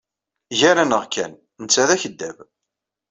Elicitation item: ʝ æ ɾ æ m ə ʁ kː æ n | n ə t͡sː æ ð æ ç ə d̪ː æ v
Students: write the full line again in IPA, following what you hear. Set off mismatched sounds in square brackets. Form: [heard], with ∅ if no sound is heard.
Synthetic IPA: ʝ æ ɾ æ [n] ə ʁ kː æ n | n ə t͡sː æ ð æ ç ə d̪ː æ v